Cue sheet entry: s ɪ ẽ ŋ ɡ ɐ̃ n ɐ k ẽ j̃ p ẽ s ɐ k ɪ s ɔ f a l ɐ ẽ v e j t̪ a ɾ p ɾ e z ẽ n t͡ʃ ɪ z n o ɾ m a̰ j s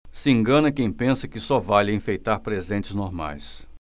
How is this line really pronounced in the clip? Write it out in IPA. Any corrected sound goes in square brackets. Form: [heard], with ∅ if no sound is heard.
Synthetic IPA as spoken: s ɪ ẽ ŋ ɡ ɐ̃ n ɐ k ẽ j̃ p ẽ s ɐ k ɪ s ɔ [v] a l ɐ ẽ [f] e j t̪ a ɾ p ɾ e z ẽ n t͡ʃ ɪ z n o ɾ m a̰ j s